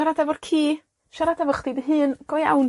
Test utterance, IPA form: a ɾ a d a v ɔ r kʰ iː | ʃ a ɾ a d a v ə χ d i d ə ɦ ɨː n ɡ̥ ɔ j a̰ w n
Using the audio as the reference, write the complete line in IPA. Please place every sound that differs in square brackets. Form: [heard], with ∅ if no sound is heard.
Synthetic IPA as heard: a ɾ a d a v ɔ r kʰ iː | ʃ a ɾ a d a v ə χ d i d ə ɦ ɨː n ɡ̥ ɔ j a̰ w n